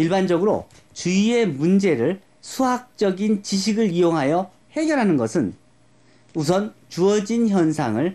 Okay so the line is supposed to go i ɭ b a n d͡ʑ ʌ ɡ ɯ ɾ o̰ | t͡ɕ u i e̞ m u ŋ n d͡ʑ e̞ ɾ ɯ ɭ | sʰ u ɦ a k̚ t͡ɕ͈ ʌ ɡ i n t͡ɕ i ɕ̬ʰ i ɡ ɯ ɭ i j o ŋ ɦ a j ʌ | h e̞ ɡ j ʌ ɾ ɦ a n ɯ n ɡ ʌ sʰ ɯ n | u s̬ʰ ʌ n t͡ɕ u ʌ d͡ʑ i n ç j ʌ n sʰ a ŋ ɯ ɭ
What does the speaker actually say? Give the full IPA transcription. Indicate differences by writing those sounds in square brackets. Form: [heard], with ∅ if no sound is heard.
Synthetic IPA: i ɭ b a n d͡ʑ ʌ ɡ ɯ ɾ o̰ | t͡ɕ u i e̞ m u [∅] n d͡ʑ e̞ ɾ ɯ ɭ | sʰ u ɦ a k̚ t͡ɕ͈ ʌ ɡ i n t͡ɕ i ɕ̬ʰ i ɡ ɯ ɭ i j o ŋ ɦ a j ʌ | h e̞ ɡ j ʌ ɾ ɦ a n ɯ n ɡ ʌ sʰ ɯ n | u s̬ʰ ʌ n t͡ɕ u ʌ d͡ʑ i n ç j ʌ n sʰ a ŋ ɯ ɭ

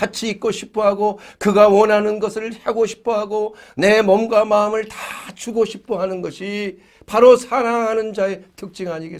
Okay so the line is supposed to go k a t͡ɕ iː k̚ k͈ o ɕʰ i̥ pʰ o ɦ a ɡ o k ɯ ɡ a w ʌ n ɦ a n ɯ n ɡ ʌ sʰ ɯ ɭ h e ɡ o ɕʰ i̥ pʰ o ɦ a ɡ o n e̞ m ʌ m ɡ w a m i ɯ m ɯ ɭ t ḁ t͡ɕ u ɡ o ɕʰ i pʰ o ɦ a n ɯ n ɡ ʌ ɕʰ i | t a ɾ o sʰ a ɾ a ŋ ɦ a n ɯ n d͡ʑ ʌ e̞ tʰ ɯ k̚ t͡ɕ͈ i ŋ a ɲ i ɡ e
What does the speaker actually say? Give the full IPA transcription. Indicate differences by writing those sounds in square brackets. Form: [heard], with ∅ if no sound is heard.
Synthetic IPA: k a [t͡ɕʰ] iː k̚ k͈ o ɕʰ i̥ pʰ o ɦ a ɡ o k ɯ ɡ a w ʌ n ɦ a n ɯ n ɡ ʌ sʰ ɯ ɭ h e ɡ o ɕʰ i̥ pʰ o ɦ a ɡ o n e̞ m ʌ m ɡ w a m [a] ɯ m ɯ ɭ t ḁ t͡ɕ u ɡ o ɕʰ i pʰ o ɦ a n ɯ n ɡ ʌ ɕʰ i | [p] a ɾ o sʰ a ɾ a ŋ ɦ a n ɯ n d͡ʑ [a] e̞ tʰ ɯ k̚ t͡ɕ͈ i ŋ a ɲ i ɡ e

